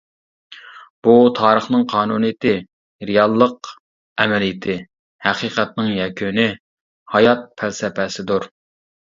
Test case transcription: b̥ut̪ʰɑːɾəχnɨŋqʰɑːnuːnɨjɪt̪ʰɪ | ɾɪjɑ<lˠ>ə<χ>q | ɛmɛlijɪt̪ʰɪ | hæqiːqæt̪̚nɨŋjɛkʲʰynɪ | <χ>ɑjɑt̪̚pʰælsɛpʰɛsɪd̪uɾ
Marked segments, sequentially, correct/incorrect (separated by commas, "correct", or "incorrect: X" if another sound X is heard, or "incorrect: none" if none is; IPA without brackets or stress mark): incorrect: lˠː, incorrect: none, incorrect: h